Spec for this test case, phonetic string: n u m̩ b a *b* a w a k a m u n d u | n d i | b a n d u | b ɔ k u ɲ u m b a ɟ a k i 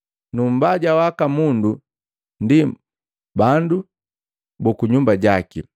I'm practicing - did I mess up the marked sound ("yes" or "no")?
yes